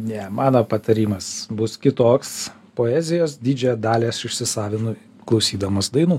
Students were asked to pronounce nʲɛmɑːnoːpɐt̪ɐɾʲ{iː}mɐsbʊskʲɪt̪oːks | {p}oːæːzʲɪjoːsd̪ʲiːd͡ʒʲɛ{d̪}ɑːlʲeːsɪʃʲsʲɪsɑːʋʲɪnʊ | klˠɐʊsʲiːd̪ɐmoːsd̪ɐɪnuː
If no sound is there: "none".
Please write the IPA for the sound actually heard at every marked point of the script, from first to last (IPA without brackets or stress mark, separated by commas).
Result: iː, p, d̪